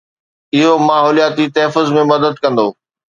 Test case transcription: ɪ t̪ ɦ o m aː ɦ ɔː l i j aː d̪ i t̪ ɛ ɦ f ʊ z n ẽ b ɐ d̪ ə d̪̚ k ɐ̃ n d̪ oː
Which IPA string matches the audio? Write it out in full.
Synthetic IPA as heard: ɪ ɦ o m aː ɦ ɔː l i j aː t̪ i t̪ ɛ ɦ f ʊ z m ẽ m ɐ d̪ ə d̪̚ k ɐ̃ n d̪ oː